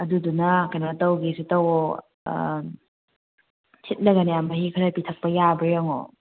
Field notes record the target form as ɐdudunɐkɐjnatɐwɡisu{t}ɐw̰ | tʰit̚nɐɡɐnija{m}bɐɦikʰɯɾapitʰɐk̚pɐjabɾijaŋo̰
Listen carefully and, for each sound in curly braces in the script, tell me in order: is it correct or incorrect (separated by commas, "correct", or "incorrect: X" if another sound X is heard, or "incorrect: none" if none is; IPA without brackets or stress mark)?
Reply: correct, correct